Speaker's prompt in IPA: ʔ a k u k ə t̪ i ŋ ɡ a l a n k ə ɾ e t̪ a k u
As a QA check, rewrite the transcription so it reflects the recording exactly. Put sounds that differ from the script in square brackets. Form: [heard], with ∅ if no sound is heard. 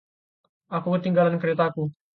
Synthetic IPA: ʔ a k u k ə t̪ i ŋ ɡ a l a n k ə ɾ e t̪ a k u

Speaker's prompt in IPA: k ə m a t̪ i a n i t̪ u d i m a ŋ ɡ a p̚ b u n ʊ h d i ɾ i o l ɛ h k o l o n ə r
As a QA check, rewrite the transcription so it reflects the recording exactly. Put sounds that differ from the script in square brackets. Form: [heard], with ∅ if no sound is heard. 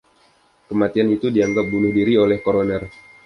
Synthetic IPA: k ə m a t̪ i a n i t̪ u d i [∅] a ŋ ɡ a p̚ b u n ʊ h d i ɾ i o l ɛ h k o [ɾ] o n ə r

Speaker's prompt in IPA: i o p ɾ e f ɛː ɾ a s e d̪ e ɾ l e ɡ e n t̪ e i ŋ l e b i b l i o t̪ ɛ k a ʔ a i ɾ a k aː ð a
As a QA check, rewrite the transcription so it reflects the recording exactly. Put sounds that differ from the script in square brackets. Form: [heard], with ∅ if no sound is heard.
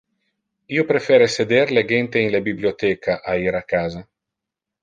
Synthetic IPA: i o p ɾ e f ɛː ɾ [e] s e d̪ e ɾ l e ɡ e n t̪ e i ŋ l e b i b l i o t̪ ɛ k a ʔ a i ɾ a k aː [z] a

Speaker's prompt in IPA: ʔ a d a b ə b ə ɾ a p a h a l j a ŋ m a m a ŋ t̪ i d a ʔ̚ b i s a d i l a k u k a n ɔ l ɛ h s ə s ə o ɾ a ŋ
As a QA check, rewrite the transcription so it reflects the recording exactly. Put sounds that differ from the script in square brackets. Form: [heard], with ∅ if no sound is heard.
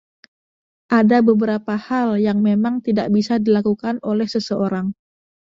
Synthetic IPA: ʔ a d a b ə b ə ɾ a p a h a l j a ŋ m [e] m a ŋ t̪ i d a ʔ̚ b i s a d i l a k u k a n [o] l ɛ h s ə s ə o ɾ a ŋ

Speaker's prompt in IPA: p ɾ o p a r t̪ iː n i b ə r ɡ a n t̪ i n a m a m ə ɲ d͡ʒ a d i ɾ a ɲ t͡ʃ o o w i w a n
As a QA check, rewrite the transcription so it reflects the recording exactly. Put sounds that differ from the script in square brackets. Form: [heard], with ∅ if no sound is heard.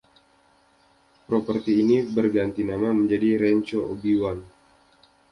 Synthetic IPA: p ɾ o p [ə] r t̪ iː n i b ə r ɡ a n t̪ i n a m a m ə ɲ d͡ʒ a d i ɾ [ɛ] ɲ t͡ʃ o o [b] i w a n

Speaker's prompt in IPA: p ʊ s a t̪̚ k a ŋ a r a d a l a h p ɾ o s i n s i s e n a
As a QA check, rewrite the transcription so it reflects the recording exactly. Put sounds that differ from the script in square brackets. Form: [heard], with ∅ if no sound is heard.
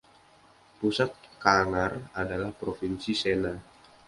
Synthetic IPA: p [u] s a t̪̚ k a ŋ a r a d a l a h p ɾ o [f] i n s i s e n a

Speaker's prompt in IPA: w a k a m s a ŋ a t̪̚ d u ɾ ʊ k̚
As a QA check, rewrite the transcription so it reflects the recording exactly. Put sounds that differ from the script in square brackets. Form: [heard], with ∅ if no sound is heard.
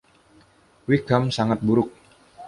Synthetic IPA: w [i] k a m s a ŋ a t̪̚ [b] u ɾ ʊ k̚

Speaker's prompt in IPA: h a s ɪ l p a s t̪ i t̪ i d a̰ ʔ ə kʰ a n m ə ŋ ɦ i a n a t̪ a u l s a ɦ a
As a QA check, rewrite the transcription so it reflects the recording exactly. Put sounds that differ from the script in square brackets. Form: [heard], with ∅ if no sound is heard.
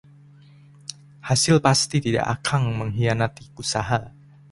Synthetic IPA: h a s ɪ l p a s t̪ i t̪ i d a̰ ʔ [a] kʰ a [ŋ] m ə ŋ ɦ i a n a t̪ [i] u [∅] s a ɦ a

